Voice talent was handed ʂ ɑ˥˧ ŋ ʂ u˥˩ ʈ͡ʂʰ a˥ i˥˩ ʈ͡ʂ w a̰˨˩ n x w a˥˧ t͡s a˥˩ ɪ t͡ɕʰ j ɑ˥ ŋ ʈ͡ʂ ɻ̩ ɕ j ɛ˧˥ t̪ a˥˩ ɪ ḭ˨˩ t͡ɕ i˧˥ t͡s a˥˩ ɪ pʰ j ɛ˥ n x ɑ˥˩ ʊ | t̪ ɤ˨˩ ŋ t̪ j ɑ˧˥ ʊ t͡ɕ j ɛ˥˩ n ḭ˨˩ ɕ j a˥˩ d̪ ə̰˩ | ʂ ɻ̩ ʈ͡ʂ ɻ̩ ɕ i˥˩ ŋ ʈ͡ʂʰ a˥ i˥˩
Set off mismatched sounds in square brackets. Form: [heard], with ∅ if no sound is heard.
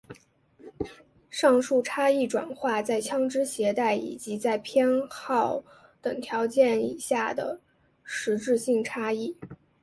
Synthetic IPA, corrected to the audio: ʂ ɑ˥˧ ŋ ʂ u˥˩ ʈ͡ʂʰ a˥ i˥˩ ʈ͡ʂ w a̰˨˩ n x w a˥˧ t͡s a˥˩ ɪ t͡ɕʰ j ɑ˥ ŋ ʈ͡ʂ ɻ̩ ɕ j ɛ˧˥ t̪ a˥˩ ɪ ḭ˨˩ t͡ɕ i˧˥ t͡s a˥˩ ɪ pʰ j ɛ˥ n x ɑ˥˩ ʊ | t̪ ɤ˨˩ ŋ [t̪ʰ] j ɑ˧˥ ʊ t͡ɕ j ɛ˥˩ n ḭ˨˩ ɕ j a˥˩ d̪ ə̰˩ | ʂ ɻ̩ ʈ͡ʂ ɻ̩ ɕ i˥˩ ŋ ʈ͡ʂʰ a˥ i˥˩